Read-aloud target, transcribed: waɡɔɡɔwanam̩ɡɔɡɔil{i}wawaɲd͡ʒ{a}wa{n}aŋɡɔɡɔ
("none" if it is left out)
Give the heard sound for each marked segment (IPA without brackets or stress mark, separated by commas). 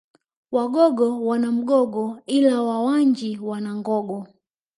a, i, n